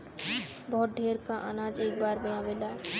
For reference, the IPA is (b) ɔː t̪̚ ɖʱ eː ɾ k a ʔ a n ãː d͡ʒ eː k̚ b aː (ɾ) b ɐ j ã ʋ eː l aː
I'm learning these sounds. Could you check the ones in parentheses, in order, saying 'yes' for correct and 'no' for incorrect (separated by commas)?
yes, yes